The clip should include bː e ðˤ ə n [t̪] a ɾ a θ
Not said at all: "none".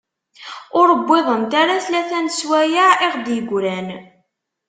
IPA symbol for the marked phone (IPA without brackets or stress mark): t̪